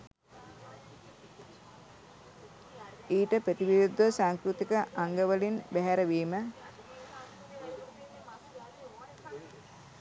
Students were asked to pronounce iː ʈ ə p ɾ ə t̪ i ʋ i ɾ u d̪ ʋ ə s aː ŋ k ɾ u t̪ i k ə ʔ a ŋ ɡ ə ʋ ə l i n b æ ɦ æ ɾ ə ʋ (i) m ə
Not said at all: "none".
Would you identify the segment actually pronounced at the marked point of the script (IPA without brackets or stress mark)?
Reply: iː